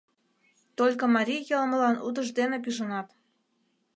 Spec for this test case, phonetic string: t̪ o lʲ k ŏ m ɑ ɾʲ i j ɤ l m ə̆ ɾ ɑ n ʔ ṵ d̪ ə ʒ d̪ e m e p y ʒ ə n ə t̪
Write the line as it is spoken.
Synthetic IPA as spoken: t̪ o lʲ k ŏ m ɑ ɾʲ i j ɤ l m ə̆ l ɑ n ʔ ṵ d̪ ə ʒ d̪ e n e p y ʒ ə n ɑ t̪